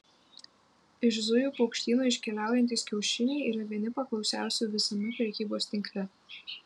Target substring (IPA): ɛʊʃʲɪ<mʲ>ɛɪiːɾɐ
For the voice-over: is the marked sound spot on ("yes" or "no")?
no